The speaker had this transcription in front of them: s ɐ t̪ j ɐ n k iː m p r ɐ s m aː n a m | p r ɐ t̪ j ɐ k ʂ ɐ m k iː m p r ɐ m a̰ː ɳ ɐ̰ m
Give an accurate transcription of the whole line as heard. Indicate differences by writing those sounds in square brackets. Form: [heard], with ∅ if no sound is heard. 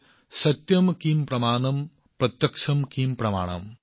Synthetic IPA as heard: s ɐ t̪ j ɐ [m] k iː m p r ɐ [∅] m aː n [ɐ] m | p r ɐ t̪ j ɐ k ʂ ɐ m k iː m p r ɐ m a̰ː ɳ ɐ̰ m